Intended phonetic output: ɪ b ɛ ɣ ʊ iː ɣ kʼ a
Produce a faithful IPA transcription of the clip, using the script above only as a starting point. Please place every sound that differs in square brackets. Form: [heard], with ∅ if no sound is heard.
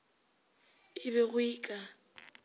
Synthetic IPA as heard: ɪ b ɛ ɣ ʊ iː [∅] kʼ a